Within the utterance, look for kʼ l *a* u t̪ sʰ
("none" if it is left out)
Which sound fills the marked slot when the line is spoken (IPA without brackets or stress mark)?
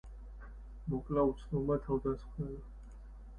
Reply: a